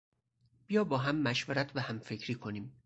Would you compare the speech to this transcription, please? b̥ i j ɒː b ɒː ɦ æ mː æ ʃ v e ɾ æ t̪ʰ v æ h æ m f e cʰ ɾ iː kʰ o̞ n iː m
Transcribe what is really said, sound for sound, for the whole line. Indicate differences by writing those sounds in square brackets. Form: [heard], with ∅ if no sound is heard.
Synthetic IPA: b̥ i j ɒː b ɒː ɦ æ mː æ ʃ v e ɾ æ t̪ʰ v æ h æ m f e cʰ ɾ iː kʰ o̞ n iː m